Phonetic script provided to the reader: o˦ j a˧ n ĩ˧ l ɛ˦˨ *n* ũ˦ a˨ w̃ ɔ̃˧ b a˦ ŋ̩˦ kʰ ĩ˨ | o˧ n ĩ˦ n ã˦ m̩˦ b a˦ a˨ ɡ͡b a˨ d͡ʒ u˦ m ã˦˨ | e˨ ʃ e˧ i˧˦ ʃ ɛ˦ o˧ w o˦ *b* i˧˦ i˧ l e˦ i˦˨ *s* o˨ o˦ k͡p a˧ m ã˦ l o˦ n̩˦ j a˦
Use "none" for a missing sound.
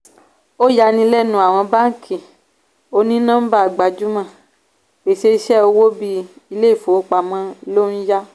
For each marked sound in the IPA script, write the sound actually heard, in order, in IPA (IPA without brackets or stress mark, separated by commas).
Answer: n, b, f